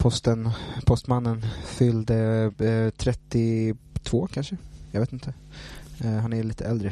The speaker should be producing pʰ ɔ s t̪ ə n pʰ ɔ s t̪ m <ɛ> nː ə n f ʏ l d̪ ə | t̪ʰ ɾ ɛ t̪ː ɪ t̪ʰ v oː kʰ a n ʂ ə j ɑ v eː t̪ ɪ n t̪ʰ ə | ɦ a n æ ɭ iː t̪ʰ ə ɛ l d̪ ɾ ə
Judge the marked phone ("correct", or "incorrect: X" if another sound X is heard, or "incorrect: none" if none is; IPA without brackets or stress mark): incorrect: a